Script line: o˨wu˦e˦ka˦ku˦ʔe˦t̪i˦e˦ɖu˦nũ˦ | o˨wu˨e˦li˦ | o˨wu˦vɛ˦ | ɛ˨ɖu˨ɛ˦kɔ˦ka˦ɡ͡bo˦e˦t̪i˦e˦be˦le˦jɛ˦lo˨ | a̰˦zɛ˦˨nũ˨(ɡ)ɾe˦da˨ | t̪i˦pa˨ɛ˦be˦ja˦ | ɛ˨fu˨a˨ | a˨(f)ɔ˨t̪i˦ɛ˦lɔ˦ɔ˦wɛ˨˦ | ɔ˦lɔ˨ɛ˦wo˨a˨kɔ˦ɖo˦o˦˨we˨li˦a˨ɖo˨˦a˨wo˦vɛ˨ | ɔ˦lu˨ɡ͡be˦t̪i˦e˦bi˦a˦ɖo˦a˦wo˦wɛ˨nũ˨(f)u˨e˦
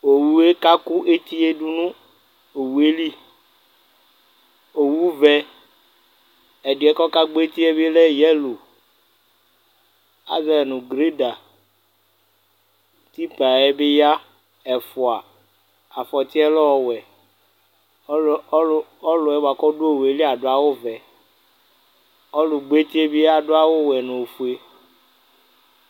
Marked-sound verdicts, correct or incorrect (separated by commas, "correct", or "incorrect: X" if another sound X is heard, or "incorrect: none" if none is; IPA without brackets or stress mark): correct, correct, correct